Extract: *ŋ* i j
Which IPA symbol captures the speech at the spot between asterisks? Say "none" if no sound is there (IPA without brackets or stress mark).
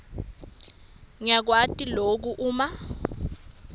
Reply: ŋ